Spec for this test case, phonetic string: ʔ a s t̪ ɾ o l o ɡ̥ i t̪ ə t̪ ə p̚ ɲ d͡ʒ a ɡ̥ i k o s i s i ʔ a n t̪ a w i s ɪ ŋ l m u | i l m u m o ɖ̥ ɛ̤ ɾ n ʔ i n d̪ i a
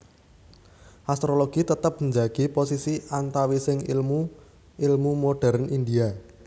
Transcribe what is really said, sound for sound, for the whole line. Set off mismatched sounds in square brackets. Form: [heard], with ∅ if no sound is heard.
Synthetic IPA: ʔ a s t̪ ɾ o l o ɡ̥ i t̪ ə t̪ ə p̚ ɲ d͡ʒ a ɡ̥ i [p] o s i s i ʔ a n t̪ a w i s ɪ ŋ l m u | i l m u m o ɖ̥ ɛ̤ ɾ n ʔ i n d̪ i a